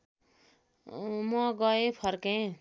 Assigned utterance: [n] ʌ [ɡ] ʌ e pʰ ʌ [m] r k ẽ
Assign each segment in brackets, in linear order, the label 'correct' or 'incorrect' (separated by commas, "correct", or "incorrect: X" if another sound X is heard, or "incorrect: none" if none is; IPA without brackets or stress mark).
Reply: incorrect: m, correct, incorrect: none